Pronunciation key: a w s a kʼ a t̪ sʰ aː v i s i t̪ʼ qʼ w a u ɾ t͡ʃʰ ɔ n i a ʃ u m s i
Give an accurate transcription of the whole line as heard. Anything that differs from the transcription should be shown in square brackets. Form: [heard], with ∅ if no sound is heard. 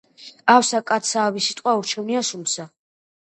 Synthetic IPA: a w s a kʼ a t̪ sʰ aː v i s i t̪ʼ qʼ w a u ɾ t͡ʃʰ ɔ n i a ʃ u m s [a]